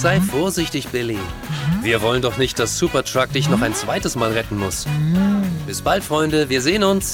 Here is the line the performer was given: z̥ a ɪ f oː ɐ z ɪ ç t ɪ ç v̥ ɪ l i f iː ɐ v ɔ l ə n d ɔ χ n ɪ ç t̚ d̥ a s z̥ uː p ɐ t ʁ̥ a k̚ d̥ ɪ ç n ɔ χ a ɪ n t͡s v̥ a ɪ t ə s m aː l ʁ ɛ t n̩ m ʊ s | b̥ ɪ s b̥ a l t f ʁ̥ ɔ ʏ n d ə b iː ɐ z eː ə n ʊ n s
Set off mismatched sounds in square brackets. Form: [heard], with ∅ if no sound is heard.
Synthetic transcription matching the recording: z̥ a ɪ f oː ɐ z ɪ ç t ɪ ç [b̥] ɪ l i [v] iː ɐ v ɔ l ə n d ɔ χ n ɪ ç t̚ d̥ a s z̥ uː p ɐ t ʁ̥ a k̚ d̥ ɪ ç n ɔ χ a ɪ n t͡s v̥ a ɪ t ə s m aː l ʁ ɛ t n̩ m ʊ s | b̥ ɪ s b̥ a l t f ʁ̥ ɔ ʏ n d ə [v] iː ɐ z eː ə n ʊ n s